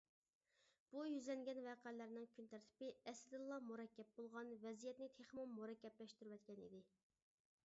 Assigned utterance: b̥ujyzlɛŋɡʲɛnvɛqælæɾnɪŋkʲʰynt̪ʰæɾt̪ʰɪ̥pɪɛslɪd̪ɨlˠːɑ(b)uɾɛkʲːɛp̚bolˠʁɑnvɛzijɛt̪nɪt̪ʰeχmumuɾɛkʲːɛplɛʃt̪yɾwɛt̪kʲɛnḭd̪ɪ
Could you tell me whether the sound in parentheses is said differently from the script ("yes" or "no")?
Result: yes